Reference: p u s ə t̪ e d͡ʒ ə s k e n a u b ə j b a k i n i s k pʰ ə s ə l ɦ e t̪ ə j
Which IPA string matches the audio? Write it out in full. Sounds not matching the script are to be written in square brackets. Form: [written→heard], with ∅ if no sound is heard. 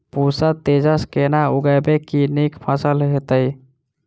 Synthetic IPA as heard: p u s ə t̪ e d͡ʒ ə s k e n a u [b→ɡ] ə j b [a→e] k i n i [s→∅] k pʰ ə s ə l ɦ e t̪ ə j